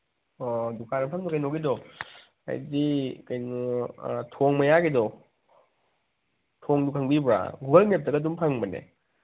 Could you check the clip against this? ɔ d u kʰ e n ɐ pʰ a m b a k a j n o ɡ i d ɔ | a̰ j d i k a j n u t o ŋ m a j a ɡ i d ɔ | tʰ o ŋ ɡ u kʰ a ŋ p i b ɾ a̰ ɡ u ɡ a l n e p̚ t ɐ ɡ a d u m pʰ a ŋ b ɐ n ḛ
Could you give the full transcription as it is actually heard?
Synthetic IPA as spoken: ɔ d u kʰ a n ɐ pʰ a ŋ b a k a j n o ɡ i d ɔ | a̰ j d i k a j n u tʰ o ŋ m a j a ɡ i d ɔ | tʰ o ŋ d u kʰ a ŋ b i b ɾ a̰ ɡ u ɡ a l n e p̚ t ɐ ɡ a d u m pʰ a ŋ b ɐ n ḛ